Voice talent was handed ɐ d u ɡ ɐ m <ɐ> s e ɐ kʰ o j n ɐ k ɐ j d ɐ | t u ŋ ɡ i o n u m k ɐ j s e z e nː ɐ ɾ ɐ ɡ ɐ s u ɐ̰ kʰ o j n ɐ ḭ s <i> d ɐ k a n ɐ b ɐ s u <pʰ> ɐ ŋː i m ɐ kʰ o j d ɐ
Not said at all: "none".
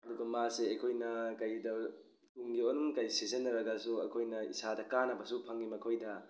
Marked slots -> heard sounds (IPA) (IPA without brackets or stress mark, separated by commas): a, a, pʰ